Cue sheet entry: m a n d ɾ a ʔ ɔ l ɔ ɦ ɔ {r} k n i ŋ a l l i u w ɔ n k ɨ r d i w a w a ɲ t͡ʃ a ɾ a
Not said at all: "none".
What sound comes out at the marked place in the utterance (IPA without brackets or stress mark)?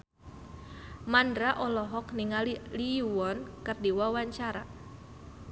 none